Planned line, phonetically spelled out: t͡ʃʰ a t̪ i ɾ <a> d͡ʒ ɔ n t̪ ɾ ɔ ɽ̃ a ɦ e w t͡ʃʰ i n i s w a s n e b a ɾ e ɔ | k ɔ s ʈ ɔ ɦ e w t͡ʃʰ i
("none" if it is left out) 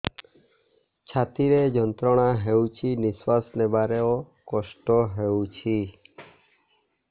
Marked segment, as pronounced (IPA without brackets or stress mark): e